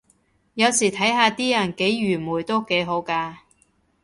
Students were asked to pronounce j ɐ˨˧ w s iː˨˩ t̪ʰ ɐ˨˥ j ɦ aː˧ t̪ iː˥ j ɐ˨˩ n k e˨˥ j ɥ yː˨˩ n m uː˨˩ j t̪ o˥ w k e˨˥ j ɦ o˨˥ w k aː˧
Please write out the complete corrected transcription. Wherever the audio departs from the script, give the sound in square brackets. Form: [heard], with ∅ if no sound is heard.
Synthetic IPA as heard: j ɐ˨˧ w s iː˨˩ t̪ʰ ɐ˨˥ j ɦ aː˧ t̪ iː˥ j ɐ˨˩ n k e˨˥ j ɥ yː˨˩ [∅] m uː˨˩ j t̪ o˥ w k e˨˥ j ɦ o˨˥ w k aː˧